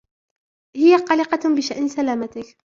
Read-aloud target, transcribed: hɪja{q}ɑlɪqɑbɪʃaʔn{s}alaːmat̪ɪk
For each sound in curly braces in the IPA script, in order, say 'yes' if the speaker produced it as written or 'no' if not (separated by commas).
yes, yes